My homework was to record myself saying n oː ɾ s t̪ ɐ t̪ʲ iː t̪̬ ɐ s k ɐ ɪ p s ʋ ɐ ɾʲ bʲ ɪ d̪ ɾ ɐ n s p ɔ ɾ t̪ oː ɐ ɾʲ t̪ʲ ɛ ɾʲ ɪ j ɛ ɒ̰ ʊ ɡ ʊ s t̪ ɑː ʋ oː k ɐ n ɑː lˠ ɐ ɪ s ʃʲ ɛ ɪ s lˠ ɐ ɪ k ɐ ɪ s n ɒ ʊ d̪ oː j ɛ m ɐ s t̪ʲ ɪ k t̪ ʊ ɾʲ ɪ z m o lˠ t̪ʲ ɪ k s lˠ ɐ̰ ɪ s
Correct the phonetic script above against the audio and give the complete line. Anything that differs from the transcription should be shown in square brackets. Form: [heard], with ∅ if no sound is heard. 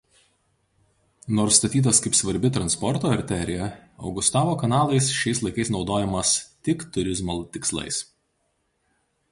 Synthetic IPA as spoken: n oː ɾ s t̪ ɐ t̪ʲ iː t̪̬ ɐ s k ɐ ɪ p s ʋ ɐ ɾʲ bʲ ɪ [t̪] ɾ ɐ n s p ɔ ɾ t̪ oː ɐ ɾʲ t̪ʲ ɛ ɾʲ ɪ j ɛ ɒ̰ ʊ ɡ ʊ s t̪ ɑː ʋ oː k ɐ n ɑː lˠ ɐ ɪ s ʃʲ ɛ ɪ s lˠ ɐ ɪ k ɐ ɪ s n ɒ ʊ d̪ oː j ɛ m ɐ s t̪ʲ ɪ k t̪ ʊ ɾʲ ɪ z m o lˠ t̪ʲ ɪ k s lˠ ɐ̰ ɪ s